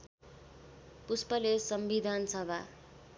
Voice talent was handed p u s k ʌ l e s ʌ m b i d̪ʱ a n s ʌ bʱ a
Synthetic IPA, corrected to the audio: p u s p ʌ l e s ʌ m b i d̪ʱ a n s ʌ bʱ a